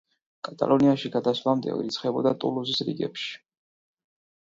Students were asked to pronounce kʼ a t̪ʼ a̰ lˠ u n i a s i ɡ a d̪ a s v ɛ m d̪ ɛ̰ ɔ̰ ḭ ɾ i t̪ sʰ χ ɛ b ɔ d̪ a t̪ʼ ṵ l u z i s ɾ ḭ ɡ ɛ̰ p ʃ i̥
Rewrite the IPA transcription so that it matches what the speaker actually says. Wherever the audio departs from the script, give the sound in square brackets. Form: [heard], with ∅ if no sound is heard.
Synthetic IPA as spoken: kʼ a t̪ʼ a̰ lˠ [ɔ] n i a [ʃ] i ɡ a d̪ a s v [a] m d̪ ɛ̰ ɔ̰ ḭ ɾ i t̪ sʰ χ ɛ b ɔ d̪ a t̪ʼ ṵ l u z i s ɾ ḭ ɡ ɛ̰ p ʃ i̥